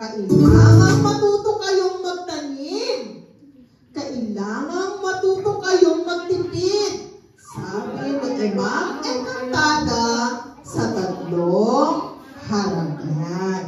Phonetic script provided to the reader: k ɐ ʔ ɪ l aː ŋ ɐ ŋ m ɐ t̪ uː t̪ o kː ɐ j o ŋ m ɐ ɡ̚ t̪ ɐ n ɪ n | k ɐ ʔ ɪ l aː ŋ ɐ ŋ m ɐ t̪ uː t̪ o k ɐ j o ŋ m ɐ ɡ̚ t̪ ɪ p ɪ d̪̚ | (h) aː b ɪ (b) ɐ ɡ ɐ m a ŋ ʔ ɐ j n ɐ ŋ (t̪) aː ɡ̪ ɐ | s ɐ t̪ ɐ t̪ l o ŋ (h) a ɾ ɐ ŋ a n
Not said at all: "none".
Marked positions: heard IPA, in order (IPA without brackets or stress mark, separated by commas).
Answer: s, m, t̪, h